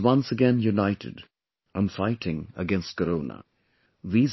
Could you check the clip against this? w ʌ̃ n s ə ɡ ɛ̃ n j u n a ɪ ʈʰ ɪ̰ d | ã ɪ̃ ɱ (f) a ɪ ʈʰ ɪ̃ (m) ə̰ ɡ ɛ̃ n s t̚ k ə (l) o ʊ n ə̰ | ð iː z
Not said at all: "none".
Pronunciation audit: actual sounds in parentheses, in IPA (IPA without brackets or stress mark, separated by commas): f, ŋ, ɾ